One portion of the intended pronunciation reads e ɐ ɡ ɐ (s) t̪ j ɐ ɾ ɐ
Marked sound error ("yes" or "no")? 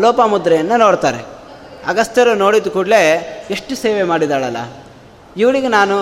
no